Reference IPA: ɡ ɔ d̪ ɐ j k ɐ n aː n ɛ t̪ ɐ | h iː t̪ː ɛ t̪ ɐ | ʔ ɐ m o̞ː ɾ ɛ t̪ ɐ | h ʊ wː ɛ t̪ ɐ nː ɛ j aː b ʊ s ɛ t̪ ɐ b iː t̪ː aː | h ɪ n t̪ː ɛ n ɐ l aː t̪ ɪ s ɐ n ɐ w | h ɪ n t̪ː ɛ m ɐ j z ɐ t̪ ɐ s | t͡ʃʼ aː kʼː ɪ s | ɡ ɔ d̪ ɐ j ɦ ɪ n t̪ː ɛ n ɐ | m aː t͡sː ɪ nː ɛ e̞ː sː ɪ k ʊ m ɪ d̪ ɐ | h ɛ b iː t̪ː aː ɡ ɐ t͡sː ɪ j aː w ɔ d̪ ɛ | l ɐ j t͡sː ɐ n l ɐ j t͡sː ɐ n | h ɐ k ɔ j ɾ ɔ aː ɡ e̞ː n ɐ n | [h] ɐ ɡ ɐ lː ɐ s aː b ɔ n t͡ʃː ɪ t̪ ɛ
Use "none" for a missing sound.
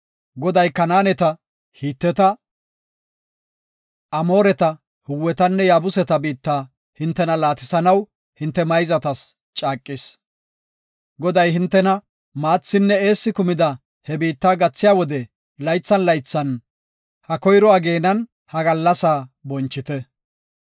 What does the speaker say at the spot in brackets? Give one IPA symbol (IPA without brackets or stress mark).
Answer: h